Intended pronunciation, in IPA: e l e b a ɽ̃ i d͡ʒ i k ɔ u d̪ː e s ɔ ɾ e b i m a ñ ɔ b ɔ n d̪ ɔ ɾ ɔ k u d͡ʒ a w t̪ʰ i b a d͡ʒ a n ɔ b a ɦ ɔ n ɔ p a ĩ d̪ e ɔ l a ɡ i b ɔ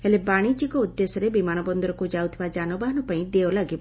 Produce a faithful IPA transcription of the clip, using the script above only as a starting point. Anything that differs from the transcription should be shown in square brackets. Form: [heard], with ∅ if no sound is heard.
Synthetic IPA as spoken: e l e b a ɽ̃ i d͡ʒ i k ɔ u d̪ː e s ɔ ɾ e b i m a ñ ɔ b ɔ n d̪ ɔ ɾ ɔ k u d͡ʒ a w t̪ʰ i b a d͡ʒ a n ɔ b a ɦ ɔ n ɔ p a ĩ d̪ e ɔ l a ɡ i b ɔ